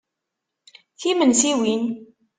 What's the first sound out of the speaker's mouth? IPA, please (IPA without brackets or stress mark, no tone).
θ